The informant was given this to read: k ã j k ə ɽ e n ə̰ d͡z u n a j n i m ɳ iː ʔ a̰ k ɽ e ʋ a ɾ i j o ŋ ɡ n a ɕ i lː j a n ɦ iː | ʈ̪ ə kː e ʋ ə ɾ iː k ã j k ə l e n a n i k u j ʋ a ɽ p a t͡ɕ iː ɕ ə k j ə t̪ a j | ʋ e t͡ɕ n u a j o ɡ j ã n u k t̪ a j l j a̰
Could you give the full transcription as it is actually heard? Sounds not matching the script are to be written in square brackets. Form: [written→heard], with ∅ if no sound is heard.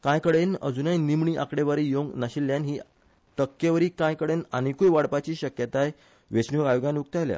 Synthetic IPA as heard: k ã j k ə ɽ e n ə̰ d͡z u n a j n i m ɳ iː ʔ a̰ k ɽ e ʋ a ɾ i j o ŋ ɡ n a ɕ i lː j a n ɦ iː | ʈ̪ ə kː e ʋ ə ɾ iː k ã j k ə [l→ɽ] e n a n i k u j ʋ a ɽ p a t͡ɕ iː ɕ ə k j ə t̪ a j | ʋ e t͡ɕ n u a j o ɡ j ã n u k t̪ a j l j a̰